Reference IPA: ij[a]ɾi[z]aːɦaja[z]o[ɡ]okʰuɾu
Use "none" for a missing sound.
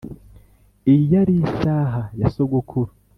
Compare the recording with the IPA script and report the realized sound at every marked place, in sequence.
a, s, s, ɡ

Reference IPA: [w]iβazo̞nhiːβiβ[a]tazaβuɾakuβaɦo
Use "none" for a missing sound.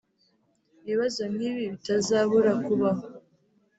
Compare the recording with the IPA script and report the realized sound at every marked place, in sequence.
β, i

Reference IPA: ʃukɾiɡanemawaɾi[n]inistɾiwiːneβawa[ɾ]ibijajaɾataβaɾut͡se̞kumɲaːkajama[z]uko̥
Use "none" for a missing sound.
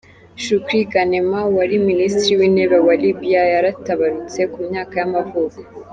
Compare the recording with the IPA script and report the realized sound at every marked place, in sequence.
m, l, v

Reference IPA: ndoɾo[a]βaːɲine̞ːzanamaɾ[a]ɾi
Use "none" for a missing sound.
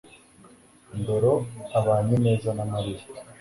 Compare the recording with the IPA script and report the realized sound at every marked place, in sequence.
a, i

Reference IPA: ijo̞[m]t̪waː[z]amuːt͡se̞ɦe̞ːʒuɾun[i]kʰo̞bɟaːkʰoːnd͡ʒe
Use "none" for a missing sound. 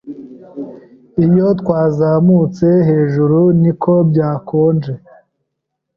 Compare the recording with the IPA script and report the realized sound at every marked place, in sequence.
none, z, i

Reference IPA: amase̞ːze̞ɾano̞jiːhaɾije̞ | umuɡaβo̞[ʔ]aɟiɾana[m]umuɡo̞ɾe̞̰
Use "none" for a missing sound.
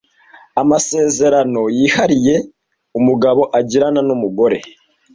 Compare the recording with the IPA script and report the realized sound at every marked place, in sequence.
ʔ, n

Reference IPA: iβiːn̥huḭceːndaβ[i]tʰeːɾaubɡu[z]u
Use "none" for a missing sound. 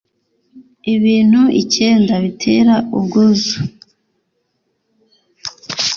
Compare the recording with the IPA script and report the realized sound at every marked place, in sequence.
i, z

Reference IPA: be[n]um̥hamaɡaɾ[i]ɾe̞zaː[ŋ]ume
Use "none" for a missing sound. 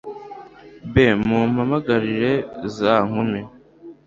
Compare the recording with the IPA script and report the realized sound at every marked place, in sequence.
m, i, ŋ

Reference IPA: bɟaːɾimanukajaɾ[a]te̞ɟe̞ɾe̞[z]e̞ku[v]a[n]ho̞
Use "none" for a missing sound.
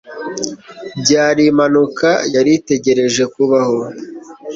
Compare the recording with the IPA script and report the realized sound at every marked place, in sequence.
i, ʒ, β, none

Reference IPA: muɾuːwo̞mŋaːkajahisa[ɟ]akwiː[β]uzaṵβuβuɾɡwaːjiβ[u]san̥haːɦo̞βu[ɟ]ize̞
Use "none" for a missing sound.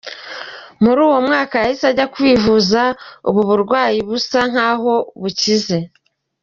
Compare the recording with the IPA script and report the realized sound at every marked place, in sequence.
ɟ, v, u, c

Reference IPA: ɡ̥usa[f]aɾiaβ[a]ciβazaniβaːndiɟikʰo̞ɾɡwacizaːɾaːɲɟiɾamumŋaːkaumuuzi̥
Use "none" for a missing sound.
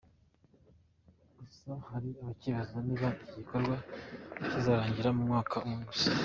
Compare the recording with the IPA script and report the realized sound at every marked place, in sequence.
h, a

